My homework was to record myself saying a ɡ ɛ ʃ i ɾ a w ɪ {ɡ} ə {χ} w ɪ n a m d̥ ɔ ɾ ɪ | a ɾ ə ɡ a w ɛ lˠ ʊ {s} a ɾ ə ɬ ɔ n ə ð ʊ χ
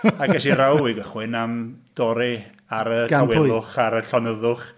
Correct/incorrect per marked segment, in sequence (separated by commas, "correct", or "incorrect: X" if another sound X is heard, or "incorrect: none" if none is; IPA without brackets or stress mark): correct, correct, incorrect: χ